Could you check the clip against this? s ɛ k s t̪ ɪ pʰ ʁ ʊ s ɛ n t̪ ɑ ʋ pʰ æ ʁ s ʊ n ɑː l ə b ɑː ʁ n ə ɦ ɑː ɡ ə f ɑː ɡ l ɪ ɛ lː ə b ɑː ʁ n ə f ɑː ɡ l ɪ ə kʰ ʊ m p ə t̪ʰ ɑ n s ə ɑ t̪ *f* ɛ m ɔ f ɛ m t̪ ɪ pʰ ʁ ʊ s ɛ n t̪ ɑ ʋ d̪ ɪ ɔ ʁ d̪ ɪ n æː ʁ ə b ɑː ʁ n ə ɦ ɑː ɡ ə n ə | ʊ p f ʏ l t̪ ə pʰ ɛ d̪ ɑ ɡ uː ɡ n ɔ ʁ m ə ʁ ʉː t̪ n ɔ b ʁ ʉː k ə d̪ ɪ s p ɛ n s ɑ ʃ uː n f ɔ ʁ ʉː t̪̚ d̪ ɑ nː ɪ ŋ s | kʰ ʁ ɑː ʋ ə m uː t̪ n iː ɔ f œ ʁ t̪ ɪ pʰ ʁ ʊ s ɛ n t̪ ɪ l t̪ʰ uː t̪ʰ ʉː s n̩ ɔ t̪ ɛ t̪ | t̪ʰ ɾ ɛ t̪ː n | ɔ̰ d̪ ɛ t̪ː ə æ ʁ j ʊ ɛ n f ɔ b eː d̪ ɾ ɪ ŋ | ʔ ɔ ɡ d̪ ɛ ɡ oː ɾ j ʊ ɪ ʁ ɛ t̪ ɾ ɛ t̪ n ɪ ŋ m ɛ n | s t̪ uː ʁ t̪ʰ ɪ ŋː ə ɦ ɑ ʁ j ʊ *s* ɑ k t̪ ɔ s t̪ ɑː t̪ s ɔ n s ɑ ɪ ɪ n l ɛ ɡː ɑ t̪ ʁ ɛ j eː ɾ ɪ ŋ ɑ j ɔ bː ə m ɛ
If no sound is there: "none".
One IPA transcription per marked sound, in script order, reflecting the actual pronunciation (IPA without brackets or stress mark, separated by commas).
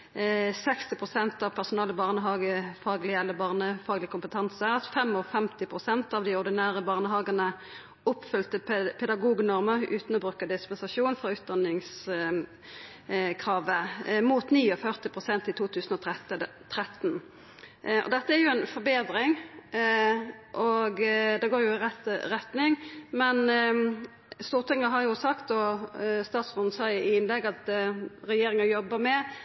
f, s